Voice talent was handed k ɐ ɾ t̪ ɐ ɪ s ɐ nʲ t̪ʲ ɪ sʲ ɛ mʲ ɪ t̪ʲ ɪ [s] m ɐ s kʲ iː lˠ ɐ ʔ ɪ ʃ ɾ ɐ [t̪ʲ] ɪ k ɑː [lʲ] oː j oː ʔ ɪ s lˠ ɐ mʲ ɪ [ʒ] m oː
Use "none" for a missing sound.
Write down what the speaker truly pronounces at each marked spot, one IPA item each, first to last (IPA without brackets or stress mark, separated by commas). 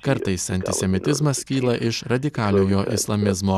z, d̪ʲ, lʲ, z